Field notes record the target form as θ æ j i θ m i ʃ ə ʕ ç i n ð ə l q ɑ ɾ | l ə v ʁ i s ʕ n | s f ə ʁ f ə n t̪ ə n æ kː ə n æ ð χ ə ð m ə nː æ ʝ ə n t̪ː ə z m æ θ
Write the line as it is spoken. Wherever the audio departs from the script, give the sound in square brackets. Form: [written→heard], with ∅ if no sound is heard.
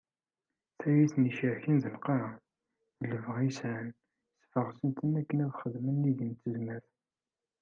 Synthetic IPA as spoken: θ æ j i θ [m→n] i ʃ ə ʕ ç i n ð ə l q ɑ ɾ | l ə v ʁ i s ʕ n | s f ə ʁ [f→s] ə n t̪ ə n æ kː ə n æ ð χ ə ð m ə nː [æ→i] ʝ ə n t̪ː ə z m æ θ